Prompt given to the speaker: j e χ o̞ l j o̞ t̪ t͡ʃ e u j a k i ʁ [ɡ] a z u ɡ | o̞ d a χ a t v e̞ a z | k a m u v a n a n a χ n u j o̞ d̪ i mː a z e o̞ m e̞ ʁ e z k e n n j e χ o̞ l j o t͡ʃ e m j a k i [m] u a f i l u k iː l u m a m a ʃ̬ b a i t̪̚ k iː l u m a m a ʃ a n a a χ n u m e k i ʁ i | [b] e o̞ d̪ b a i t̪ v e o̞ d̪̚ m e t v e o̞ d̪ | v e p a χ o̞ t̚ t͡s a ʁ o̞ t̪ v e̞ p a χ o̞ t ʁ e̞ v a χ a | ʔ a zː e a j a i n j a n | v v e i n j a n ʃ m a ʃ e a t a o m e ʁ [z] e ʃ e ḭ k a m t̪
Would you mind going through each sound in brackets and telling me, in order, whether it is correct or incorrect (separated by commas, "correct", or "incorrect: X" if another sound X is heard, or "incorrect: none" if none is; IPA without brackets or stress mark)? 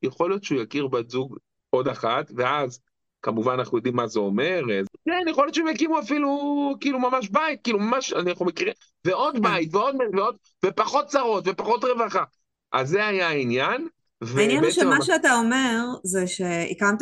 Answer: incorrect: b, correct, incorrect: v, correct